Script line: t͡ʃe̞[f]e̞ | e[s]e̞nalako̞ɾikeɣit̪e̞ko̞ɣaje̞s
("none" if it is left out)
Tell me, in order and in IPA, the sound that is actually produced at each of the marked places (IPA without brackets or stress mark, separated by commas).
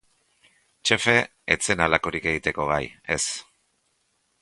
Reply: f, t͡s